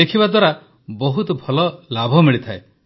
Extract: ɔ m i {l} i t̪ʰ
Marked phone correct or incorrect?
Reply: incorrect: ɭ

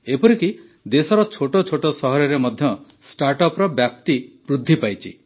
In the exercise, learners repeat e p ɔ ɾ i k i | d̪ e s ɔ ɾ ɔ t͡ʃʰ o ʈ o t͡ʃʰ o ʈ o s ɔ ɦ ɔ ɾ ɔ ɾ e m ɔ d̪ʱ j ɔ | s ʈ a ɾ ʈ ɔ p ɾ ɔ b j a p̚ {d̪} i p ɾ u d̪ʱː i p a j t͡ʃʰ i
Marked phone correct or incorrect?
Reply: incorrect: t̪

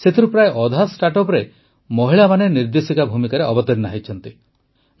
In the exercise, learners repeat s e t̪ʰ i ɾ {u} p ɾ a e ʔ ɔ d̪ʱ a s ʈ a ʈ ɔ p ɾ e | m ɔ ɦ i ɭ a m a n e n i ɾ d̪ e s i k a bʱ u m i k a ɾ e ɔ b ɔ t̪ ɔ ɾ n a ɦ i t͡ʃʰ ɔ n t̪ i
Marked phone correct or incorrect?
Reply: correct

